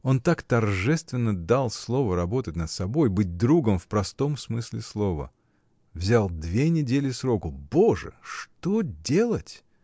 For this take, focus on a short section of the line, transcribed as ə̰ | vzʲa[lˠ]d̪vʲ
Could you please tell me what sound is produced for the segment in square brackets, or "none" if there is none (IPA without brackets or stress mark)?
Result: lˠ